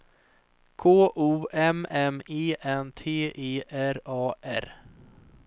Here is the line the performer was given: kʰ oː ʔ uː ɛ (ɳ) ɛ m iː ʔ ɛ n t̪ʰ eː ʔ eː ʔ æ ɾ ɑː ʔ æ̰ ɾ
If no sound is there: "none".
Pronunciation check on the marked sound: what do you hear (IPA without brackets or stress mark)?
m